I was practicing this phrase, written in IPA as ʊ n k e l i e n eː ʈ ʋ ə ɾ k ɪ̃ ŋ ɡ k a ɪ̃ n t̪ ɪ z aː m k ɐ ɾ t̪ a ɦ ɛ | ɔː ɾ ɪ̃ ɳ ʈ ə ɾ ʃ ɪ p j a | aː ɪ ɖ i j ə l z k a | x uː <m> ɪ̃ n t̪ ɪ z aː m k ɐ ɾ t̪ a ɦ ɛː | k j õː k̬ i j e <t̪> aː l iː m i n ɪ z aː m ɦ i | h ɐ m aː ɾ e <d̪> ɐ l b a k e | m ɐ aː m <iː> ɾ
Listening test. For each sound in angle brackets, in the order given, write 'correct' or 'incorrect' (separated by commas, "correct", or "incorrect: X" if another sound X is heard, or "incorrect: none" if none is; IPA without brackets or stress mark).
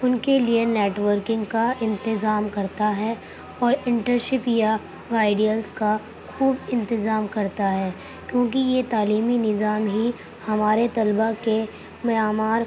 incorrect: b, correct, incorrect: t̪, incorrect: aː